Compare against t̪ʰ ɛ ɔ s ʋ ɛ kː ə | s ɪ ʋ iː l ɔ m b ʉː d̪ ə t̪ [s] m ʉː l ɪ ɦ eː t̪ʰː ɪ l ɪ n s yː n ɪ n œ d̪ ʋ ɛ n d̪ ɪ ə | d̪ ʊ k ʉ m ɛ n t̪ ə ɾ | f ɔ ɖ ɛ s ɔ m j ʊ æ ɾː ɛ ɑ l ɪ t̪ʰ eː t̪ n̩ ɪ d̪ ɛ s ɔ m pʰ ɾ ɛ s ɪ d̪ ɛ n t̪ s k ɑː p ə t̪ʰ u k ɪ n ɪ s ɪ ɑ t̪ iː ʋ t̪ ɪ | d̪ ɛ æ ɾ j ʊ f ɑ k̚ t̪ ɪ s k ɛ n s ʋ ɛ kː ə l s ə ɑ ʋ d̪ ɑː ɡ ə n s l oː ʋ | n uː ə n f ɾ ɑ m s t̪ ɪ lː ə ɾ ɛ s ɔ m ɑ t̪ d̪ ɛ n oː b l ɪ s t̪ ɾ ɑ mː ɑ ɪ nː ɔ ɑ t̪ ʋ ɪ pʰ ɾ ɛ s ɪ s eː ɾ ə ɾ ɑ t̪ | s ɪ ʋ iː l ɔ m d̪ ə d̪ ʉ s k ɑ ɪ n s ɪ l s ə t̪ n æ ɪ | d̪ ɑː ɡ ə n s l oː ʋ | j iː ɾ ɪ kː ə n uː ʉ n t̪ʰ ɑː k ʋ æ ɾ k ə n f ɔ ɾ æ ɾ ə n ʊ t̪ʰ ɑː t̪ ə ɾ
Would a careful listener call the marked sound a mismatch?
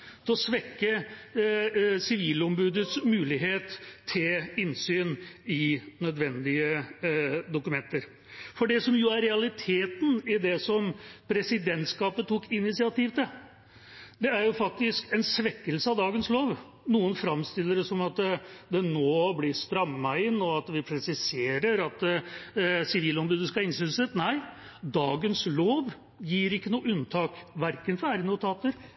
no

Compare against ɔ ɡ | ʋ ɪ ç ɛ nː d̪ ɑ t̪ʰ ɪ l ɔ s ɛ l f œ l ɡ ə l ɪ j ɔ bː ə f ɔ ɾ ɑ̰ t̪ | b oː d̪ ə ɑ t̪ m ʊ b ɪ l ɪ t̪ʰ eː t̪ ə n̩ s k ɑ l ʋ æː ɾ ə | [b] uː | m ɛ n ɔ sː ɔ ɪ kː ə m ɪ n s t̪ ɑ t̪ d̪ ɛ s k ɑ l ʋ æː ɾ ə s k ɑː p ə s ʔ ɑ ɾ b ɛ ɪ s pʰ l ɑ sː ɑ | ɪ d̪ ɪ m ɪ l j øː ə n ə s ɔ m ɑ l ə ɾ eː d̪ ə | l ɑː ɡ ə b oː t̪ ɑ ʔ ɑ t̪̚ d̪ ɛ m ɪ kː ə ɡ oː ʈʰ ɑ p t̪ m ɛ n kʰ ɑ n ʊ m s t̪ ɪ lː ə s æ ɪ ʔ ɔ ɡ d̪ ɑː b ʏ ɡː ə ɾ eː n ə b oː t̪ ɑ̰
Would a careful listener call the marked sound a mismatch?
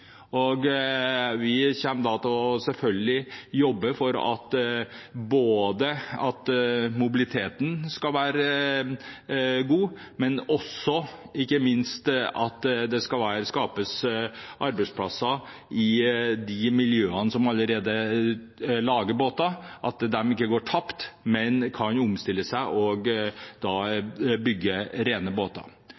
yes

